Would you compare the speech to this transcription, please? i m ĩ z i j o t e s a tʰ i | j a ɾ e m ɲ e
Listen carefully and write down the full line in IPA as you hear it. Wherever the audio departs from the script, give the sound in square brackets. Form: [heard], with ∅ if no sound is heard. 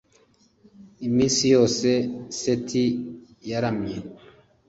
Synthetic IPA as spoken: i m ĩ [s] i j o [s] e s [e] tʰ i | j a ɾ [a] m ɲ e